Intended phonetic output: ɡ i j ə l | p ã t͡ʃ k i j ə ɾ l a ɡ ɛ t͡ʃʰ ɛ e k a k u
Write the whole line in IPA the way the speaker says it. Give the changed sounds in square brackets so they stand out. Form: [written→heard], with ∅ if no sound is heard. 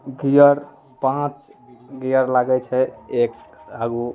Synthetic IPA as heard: ɡ i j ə [l→ɾ] | p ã t͡ʃ [k→ɡ] i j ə ɾ l a ɡ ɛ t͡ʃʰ ɛ e k a [k→ɡ] u